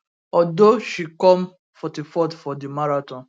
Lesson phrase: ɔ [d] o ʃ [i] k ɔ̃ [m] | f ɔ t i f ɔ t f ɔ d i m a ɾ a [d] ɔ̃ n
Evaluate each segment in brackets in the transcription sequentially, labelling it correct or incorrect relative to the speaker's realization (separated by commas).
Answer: correct, correct, correct, incorrect